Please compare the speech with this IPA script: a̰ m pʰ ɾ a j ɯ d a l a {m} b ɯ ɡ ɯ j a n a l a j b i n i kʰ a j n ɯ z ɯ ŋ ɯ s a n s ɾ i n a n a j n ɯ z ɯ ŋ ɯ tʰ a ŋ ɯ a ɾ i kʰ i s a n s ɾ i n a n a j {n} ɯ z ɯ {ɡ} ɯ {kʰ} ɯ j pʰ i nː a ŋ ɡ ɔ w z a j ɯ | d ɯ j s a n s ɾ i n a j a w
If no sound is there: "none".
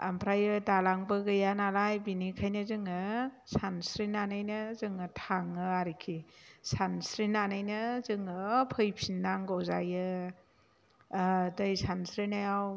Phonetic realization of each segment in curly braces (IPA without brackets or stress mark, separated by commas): ŋ, n, ŋ, pʰ